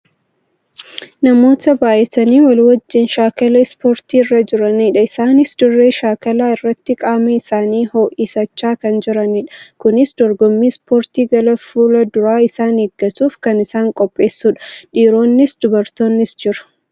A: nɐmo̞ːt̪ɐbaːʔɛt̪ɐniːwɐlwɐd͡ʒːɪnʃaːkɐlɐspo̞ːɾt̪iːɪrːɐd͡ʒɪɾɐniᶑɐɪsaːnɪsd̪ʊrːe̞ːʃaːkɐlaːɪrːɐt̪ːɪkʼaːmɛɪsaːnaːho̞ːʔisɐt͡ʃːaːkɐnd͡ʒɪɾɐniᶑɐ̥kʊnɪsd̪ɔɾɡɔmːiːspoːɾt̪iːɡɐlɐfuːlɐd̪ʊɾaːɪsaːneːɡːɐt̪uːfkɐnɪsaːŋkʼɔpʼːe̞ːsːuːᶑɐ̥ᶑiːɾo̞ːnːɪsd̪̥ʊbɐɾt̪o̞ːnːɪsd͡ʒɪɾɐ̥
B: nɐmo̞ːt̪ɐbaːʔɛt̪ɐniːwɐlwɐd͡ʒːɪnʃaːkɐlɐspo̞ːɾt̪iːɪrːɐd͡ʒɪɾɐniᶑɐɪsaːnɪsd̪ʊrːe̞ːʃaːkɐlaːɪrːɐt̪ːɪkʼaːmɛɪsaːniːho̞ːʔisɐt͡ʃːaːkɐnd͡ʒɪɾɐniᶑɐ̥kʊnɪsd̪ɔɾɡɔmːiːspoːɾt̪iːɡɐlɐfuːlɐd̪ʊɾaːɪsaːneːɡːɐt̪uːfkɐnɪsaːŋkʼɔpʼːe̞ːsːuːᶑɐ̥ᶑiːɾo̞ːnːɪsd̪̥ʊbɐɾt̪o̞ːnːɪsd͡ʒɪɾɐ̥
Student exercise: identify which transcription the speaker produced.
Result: B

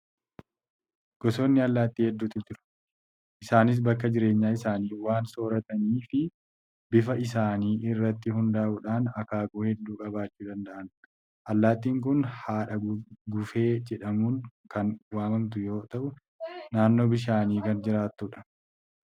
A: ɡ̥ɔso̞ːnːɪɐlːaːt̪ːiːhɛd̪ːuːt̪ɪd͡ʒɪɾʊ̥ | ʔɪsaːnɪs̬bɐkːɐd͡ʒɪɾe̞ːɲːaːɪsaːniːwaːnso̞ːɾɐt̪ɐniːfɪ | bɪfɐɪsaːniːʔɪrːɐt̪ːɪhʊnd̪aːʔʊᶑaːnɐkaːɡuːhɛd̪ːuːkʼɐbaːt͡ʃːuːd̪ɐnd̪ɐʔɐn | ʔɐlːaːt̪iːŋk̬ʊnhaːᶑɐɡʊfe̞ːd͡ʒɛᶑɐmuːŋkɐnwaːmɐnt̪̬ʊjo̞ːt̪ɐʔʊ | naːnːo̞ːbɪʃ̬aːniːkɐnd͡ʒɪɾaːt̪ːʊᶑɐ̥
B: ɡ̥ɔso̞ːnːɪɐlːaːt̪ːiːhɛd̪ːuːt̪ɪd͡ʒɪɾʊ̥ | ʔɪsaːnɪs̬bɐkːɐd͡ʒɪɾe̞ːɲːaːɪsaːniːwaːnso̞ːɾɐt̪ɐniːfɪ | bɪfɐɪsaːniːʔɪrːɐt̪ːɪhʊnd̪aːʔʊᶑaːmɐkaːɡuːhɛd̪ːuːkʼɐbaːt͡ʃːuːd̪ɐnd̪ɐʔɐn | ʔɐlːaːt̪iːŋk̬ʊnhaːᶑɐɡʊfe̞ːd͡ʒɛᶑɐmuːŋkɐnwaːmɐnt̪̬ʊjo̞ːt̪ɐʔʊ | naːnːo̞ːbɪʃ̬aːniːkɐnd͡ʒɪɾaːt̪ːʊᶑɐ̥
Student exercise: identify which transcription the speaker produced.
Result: A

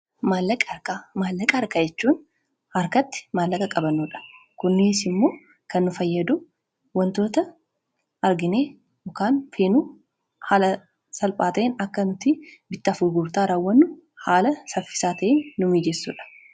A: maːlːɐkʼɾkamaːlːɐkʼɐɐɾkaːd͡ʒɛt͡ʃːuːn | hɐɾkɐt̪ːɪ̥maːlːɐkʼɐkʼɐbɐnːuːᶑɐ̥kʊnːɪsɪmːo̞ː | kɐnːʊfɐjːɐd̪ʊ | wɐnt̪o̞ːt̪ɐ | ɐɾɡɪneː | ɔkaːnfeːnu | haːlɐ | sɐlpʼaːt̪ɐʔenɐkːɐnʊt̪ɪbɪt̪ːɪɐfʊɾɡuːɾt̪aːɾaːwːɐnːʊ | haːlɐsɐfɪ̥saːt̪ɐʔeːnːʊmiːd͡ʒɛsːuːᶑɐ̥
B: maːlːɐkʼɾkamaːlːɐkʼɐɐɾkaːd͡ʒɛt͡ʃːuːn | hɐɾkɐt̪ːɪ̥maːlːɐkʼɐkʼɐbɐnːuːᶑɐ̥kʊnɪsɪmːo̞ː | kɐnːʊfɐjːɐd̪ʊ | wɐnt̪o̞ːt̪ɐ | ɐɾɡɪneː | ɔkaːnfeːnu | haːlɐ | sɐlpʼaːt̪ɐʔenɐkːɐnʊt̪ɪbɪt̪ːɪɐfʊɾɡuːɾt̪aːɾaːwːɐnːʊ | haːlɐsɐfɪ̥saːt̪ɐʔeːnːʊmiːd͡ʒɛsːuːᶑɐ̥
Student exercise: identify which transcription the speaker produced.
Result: A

